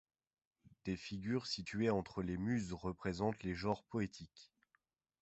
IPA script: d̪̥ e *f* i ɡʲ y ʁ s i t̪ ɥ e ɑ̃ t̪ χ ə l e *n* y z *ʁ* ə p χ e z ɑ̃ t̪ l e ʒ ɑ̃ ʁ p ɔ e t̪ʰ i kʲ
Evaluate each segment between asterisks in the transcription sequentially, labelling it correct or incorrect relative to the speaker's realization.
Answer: correct, incorrect: m, correct

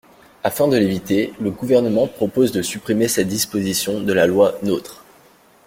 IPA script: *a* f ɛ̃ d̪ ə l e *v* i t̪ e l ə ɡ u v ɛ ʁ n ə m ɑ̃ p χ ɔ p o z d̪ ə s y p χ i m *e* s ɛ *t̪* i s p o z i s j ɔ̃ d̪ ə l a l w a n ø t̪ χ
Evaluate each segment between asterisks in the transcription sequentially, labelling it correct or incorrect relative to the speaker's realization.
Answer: correct, correct, correct, incorrect: d̪

